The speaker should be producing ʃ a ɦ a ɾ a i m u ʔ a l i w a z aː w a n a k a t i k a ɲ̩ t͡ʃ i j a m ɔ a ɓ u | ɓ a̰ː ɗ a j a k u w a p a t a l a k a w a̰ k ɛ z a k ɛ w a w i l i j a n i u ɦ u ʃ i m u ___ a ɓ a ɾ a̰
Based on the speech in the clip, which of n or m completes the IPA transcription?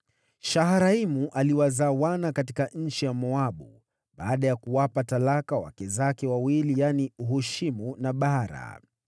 n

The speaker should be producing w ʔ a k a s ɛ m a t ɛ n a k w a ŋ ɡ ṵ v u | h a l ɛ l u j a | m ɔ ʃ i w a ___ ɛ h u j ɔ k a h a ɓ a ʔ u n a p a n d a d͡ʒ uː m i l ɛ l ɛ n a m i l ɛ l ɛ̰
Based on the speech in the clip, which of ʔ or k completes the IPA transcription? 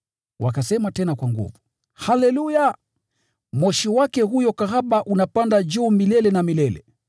k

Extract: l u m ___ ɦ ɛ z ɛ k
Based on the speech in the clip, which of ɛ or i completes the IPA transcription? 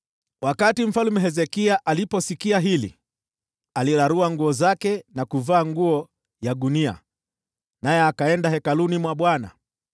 ɛ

